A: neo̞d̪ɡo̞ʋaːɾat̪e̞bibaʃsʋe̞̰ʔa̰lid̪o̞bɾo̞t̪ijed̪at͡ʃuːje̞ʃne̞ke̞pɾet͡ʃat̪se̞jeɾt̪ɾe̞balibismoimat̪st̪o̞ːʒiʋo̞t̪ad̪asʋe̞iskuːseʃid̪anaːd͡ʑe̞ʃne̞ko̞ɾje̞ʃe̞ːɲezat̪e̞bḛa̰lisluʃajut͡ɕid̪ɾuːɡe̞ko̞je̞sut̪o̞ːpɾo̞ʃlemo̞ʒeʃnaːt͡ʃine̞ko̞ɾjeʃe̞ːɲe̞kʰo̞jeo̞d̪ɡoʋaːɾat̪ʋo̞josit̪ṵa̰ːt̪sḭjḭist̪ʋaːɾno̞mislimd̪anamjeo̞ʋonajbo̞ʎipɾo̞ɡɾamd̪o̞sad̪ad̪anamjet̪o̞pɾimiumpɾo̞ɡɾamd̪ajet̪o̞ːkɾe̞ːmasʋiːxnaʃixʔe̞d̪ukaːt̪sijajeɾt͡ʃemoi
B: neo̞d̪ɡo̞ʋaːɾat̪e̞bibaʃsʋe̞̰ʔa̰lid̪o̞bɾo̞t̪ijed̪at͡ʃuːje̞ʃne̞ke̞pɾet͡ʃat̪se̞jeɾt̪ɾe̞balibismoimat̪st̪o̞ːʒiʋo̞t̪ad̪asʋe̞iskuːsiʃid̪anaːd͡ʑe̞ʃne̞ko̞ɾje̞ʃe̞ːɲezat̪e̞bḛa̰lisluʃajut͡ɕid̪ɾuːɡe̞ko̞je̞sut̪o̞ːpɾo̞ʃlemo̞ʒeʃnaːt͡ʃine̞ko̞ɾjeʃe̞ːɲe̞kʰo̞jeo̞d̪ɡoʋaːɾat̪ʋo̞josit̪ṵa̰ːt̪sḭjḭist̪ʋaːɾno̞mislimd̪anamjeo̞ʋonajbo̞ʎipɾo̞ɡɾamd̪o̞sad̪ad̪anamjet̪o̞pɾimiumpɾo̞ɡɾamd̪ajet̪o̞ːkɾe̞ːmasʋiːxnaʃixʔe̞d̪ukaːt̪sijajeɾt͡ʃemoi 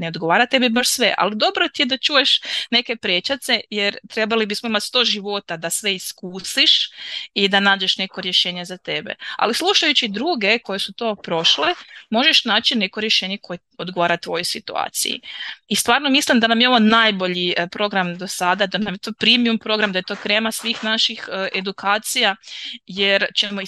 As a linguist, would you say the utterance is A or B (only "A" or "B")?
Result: B